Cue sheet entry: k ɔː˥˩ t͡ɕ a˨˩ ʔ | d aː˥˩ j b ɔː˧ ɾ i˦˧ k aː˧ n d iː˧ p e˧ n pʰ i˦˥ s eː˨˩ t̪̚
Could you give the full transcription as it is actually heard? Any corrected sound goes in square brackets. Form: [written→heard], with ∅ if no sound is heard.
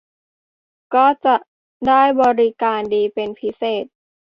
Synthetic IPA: k ɔː˥˩ t͡ɕ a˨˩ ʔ | d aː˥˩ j b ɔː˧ ɾ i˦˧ k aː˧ n d iː˧ p e˧ n pʰ i˦˥ s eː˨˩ t̪̚

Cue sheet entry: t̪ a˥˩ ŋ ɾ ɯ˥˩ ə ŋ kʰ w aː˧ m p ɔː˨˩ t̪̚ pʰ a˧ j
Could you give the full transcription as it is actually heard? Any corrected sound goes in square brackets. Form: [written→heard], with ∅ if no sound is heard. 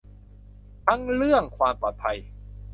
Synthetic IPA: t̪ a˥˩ ŋ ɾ ɯ˥˩ ə ŋ kʰ w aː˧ m p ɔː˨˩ t̪̚ pʰ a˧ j

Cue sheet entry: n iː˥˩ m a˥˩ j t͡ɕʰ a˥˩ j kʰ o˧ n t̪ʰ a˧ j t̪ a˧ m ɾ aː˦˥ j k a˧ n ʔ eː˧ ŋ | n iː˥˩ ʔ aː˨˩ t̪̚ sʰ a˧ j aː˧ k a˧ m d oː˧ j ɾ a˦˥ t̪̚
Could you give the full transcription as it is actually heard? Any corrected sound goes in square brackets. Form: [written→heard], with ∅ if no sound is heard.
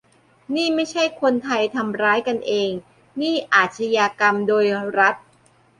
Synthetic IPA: n iː˥˩ m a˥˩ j t͡ɕʰ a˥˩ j kʰ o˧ n t̪ʰ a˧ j [t̪→t̪ʰ] a˧ m ɾ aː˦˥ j k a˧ n ʔ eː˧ ŋ | n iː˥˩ ʔ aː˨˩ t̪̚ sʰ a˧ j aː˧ k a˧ m d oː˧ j ɾ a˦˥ t̪̚

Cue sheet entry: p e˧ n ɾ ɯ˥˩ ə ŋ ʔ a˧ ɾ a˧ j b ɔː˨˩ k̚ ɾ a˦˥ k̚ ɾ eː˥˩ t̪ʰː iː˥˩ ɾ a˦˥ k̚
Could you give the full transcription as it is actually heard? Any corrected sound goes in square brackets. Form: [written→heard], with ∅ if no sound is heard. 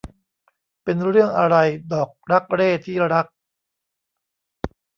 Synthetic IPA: p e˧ n ɾ ɯ˥˩ ə ŋ ʔ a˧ ɾ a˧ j [b→d] ɔː˨˩ k̚ ɾ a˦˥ k̚ ɾ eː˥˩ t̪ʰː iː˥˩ ɾ a˦˥ k̚

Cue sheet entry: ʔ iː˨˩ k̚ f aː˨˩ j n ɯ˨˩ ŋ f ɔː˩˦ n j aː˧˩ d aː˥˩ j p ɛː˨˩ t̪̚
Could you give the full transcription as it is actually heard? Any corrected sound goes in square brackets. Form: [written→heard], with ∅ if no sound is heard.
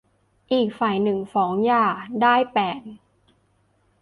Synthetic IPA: ʔ iː˨˩ k̚ f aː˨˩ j n ɯ˨˩ ŋ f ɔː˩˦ [n→ŋ] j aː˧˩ d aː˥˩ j p ɛː˨˩ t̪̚

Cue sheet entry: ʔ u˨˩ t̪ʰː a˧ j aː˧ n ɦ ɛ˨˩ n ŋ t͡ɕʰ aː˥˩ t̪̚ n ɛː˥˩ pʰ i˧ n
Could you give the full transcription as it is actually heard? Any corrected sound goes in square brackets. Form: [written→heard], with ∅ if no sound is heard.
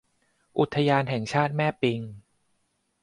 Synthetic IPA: ʔ u˨˩ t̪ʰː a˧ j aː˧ n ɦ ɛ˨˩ [n→∅] ŋ t͡ɕʰ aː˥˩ t̪̚ [n→m] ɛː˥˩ [pʰ→p] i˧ [n→ŋ]

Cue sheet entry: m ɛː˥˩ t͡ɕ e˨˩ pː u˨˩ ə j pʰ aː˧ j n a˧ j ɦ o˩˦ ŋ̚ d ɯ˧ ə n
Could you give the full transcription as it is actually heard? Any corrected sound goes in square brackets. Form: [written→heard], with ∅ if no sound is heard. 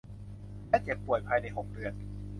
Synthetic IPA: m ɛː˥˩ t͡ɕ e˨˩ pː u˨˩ ə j pʰ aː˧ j n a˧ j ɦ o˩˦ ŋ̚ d ɯ˧ ə n

